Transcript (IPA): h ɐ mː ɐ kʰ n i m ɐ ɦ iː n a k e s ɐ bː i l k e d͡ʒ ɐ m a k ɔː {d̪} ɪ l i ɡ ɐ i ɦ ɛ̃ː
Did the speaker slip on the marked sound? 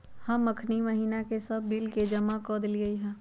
no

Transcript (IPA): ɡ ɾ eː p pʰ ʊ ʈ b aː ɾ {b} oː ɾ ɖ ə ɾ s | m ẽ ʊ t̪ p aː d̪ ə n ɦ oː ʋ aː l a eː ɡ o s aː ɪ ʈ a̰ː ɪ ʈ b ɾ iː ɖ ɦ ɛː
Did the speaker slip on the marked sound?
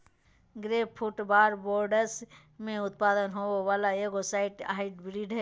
no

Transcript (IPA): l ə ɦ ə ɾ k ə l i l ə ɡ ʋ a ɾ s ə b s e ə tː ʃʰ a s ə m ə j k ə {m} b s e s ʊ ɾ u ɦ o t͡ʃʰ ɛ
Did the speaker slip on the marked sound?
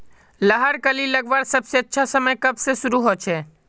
yes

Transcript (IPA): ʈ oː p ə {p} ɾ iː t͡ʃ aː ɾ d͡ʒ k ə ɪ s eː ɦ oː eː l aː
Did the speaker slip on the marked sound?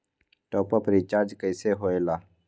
no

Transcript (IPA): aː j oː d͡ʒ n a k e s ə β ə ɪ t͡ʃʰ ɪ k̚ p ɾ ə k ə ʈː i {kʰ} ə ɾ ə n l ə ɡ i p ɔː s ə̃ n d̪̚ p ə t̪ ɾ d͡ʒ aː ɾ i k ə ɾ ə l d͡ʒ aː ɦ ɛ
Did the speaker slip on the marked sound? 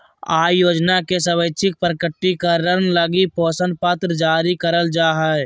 yes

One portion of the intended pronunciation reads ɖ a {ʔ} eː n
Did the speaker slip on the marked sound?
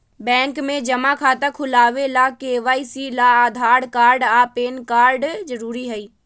yes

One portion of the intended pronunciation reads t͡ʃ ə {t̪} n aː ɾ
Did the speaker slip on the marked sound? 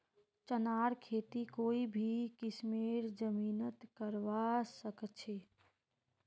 yes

